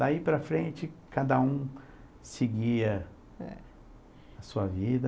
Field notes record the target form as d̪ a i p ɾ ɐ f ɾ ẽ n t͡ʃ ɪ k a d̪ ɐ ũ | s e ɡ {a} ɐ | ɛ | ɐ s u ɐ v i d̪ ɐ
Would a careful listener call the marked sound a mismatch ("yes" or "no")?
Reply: yes